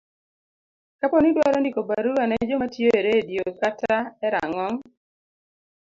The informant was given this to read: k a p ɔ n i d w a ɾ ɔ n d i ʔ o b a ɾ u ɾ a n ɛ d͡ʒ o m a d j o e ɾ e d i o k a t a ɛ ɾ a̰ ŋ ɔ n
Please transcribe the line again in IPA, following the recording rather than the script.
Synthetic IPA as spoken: k a p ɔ n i d w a ɾ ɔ n d i k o b a ɾ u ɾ a n ɛ d͡ʒ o m a t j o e ɾ e d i o k a t a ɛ ɾ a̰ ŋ ɔ ŋ